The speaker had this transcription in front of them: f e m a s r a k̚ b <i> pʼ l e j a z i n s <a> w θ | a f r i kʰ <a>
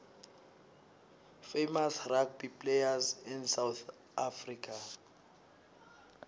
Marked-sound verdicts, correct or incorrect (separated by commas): correct, correct, correct